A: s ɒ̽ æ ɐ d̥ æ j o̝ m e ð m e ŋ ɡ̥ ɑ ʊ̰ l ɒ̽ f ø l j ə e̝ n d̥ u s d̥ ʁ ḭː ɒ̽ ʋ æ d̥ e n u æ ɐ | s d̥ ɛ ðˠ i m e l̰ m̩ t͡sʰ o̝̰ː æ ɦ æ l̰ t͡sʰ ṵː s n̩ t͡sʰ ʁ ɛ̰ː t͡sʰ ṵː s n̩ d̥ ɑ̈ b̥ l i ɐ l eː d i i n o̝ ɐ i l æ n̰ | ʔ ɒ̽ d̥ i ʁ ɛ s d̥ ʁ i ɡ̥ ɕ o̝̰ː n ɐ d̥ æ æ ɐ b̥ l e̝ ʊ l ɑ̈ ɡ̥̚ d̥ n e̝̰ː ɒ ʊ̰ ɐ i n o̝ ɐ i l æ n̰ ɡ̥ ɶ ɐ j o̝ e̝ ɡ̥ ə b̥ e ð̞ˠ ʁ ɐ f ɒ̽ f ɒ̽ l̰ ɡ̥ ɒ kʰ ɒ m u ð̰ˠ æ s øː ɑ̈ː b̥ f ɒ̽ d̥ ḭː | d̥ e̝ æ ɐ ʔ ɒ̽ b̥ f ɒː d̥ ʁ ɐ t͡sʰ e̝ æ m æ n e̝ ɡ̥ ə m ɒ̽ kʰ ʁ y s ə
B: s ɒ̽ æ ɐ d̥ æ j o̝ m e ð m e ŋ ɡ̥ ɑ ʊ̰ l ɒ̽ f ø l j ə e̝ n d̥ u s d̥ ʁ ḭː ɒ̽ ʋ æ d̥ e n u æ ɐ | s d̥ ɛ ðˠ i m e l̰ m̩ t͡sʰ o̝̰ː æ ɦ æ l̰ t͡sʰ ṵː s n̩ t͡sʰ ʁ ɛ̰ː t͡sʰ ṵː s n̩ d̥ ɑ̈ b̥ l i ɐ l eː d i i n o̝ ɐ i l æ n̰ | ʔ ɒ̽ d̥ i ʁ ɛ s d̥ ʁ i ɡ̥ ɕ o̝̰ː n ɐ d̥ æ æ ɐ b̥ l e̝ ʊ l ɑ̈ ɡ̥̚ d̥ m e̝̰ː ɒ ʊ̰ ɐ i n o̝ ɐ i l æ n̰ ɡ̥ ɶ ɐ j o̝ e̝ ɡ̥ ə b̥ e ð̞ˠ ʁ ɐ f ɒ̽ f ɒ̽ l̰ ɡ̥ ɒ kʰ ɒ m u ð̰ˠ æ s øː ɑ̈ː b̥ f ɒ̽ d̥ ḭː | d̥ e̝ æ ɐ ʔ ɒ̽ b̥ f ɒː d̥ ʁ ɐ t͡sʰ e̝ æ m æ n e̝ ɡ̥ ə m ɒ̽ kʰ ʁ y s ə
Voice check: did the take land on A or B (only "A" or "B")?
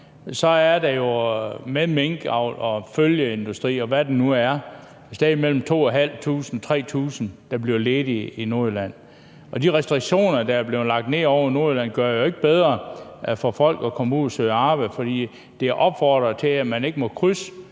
A